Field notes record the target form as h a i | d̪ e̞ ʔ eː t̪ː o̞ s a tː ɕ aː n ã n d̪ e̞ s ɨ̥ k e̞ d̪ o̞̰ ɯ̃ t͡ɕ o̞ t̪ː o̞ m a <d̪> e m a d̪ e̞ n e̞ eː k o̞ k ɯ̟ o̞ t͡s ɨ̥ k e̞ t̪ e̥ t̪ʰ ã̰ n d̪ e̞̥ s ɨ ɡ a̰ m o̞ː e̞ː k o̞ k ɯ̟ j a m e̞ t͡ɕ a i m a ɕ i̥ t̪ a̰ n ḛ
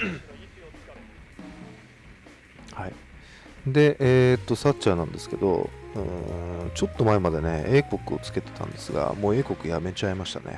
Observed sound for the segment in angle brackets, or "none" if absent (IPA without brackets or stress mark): none